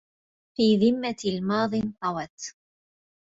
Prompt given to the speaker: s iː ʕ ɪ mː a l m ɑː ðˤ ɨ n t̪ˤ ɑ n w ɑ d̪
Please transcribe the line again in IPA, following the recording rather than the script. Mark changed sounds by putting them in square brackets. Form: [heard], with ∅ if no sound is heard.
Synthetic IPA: [f] iː [ð] ɪ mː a l m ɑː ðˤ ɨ n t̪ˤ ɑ [∅] w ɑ [t̪]